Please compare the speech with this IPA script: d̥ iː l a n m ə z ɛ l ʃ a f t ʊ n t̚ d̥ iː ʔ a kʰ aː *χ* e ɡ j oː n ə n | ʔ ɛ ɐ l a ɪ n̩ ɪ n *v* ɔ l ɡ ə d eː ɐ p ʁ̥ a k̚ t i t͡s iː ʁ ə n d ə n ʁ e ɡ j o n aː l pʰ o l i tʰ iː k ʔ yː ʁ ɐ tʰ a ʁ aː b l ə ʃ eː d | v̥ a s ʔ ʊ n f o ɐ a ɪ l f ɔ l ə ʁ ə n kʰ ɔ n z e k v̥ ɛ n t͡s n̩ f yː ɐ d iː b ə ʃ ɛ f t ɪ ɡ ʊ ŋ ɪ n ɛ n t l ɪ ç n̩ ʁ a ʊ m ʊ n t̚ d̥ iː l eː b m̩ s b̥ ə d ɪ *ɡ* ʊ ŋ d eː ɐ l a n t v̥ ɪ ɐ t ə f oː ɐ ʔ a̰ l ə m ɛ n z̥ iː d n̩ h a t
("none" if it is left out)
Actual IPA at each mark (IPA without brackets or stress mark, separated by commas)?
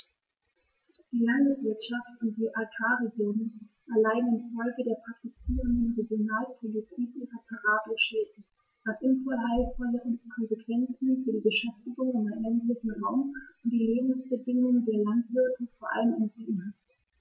ʁ, f, ŋ